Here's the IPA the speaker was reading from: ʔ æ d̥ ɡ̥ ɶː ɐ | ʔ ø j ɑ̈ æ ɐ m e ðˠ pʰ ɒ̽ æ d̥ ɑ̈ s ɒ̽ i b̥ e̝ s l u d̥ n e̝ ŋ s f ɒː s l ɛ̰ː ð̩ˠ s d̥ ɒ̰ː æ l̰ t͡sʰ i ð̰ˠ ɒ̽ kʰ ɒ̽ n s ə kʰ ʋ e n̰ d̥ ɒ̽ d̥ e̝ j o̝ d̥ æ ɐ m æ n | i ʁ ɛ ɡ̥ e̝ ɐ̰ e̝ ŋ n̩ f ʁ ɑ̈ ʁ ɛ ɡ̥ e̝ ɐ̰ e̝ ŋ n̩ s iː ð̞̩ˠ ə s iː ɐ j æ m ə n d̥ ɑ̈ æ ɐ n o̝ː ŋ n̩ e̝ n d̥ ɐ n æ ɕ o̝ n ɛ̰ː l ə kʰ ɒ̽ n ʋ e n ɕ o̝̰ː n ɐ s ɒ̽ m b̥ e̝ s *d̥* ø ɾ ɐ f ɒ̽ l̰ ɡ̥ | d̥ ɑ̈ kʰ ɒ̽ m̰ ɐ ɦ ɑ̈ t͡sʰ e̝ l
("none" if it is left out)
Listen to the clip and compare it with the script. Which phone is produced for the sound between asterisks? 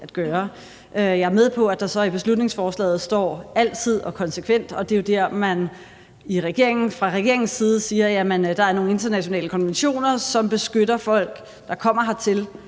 ɡ̥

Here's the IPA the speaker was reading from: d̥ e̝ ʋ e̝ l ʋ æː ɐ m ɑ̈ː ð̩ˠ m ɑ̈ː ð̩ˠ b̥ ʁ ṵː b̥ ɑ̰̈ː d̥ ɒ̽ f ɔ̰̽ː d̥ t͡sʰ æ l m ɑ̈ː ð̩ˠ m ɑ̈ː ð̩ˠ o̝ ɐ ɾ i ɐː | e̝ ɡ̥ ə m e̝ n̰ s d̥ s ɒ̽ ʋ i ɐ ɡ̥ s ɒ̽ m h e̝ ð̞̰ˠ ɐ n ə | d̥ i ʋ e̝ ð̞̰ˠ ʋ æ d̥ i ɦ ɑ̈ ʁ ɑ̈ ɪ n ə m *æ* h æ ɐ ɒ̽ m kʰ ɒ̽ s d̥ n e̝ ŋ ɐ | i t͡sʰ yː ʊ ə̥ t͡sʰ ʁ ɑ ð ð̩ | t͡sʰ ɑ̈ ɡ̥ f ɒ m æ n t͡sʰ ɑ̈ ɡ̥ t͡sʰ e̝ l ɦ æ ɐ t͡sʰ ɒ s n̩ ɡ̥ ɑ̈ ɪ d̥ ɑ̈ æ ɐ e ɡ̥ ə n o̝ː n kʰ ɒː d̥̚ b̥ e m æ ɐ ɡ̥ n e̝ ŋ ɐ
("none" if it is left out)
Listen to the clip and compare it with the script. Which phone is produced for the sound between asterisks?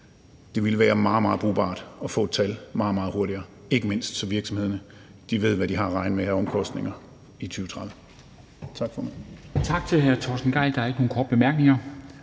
e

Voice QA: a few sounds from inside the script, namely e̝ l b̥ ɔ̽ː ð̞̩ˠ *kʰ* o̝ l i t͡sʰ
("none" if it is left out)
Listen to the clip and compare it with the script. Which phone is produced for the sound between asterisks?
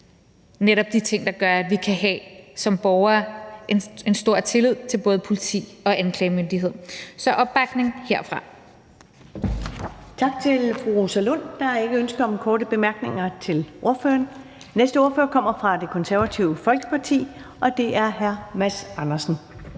pʰ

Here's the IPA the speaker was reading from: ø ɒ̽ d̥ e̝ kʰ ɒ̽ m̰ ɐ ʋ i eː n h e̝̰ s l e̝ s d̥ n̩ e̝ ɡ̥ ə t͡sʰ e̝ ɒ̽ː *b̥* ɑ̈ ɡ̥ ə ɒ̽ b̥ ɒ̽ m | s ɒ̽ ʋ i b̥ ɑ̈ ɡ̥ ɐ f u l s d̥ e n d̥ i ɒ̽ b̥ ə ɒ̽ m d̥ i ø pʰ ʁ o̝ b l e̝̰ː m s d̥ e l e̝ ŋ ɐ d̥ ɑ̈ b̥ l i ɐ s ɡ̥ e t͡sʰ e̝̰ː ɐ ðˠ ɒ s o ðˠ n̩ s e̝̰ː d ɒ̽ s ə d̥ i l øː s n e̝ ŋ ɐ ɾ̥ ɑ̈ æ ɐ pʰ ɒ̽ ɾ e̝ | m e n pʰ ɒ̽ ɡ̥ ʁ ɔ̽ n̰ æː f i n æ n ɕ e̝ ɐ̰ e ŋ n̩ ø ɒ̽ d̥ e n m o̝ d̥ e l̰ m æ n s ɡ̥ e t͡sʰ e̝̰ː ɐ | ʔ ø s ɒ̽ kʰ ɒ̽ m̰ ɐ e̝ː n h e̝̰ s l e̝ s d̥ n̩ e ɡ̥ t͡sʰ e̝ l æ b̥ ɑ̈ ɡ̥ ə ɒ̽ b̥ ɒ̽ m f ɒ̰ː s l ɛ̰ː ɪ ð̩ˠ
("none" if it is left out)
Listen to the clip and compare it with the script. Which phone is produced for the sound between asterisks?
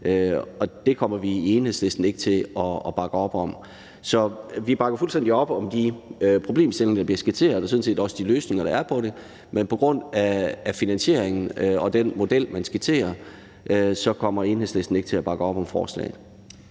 b̥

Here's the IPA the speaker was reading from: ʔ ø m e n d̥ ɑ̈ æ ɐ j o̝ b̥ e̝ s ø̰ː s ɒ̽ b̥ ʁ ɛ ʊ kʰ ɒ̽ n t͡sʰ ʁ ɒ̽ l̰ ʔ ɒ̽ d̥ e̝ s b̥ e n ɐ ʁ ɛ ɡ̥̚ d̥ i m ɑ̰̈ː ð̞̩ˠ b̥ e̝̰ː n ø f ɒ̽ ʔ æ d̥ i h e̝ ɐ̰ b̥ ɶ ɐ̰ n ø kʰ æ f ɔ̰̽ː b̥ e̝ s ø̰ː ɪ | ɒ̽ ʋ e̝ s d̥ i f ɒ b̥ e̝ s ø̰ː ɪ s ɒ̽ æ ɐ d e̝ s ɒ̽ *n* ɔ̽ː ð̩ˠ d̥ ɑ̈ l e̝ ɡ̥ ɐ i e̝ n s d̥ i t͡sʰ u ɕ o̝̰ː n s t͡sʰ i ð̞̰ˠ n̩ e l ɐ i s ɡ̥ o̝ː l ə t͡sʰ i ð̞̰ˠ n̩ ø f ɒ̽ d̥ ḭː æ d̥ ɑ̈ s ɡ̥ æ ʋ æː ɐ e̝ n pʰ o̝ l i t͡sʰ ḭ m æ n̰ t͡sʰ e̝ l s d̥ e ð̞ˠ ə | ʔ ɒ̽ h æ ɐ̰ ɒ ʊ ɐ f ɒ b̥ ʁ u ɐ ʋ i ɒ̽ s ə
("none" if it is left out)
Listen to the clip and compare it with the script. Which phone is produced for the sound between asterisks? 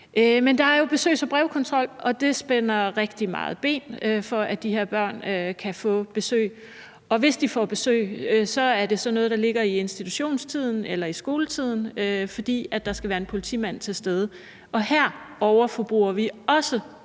n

